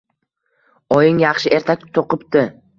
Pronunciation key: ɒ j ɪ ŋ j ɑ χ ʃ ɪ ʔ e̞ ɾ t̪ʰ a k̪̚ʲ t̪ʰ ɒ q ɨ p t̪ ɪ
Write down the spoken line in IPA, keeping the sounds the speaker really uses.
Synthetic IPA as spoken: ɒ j ɪ ŋ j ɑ χ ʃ ɪ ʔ e̞ ɾ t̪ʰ a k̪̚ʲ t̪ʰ o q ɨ p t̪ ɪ